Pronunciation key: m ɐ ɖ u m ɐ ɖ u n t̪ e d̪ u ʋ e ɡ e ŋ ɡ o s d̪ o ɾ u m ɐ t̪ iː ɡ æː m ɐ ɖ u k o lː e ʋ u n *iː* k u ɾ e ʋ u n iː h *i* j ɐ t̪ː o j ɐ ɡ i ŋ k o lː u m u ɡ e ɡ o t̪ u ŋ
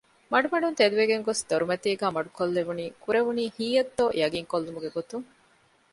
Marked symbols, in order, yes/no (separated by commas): yes, no